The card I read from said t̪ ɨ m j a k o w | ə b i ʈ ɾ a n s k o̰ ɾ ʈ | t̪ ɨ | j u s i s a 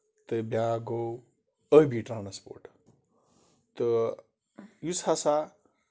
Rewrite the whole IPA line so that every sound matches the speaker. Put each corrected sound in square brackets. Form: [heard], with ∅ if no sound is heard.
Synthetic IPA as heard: t̪ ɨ [b] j a [ɡ] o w | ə b i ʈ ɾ a n s [p] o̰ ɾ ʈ | t̪ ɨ | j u s [a] s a